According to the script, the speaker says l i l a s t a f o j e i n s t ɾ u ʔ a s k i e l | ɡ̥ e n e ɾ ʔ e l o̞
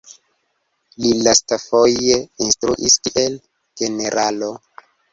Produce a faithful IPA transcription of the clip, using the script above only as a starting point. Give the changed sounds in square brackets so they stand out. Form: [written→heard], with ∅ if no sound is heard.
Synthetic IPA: l i l a s t a f o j e i n s t ɾ u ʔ [a→i] s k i e l | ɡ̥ e n e ɾ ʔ [e→a] l o̞